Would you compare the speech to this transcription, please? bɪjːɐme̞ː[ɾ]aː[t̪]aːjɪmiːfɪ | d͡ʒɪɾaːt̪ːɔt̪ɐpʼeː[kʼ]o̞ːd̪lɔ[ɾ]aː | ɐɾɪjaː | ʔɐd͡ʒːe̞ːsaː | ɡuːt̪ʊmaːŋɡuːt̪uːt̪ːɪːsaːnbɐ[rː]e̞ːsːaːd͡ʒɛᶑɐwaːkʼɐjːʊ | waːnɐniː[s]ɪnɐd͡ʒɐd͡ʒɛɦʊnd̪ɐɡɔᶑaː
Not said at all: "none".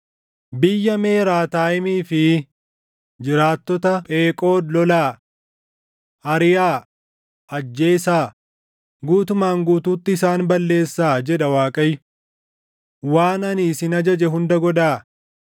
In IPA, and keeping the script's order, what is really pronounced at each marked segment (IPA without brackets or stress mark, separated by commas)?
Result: ɾ, t̪, kʼ, l, lː, s